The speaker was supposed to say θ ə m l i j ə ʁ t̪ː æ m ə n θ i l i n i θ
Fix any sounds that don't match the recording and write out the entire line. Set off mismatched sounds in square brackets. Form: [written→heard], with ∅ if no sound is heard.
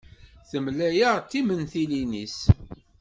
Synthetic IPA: θ ə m l [i→æ] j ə ʁ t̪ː [æ→i] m ə n θ i l i n i [θ→s]